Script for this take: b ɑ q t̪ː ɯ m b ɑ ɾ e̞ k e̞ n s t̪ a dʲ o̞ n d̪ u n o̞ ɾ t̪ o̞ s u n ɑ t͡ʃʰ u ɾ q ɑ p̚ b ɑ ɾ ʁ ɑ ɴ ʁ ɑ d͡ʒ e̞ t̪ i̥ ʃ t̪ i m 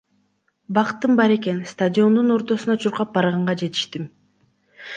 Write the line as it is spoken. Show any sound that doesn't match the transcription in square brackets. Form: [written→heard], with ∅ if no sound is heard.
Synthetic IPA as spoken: b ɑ q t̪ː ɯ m b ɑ ɾ e̞ k e̞ n s t̪ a dʲ o̞ n d̪ u n o̞ ɾ t̪ o̞ s u n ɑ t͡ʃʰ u ɾ q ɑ p̚ b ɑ ɾ ʁ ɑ ɴ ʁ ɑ d͡ʒ e̞ t̪ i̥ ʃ t̪ i m